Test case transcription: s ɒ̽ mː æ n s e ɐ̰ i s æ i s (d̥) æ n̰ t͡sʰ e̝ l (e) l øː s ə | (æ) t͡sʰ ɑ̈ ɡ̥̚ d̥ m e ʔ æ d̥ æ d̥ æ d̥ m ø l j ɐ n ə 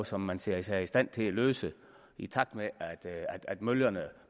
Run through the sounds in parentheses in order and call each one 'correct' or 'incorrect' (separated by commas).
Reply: correct, incorrect, incorrect